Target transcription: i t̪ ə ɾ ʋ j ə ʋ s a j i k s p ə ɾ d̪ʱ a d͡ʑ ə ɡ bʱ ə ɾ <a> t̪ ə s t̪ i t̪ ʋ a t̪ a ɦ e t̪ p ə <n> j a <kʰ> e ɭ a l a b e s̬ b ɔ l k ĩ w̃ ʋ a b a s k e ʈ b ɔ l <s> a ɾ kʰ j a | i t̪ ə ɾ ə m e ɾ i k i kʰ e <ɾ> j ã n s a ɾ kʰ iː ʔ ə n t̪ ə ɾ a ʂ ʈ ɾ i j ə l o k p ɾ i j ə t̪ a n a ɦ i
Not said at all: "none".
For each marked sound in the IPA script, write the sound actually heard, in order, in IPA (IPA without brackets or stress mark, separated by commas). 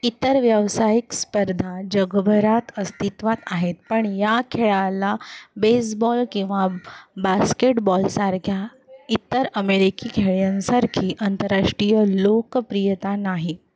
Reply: a, ɳ, kʰ, s, ɭ